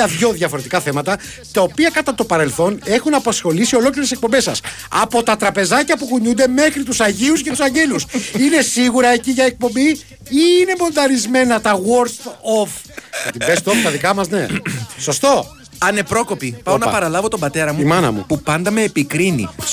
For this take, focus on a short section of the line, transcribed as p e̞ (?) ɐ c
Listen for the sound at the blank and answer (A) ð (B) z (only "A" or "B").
B